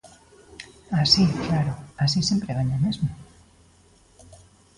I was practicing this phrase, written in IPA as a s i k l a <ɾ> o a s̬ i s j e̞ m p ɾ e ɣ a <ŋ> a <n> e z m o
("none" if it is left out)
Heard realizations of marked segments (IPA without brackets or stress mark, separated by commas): ɾ, ɲ, m